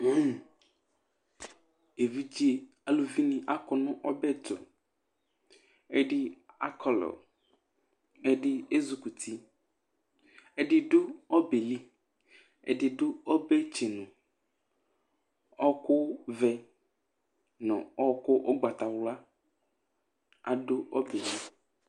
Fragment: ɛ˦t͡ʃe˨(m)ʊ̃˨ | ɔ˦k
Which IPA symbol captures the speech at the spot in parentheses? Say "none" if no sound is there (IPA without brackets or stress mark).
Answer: n